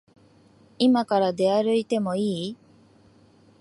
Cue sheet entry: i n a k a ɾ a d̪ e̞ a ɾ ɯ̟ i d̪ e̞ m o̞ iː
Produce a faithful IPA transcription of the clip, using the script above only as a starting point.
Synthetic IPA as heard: i m a k a ɾ a d̪ e̞ a ɾ ɯ̟ i t̪ e̞ m o̞ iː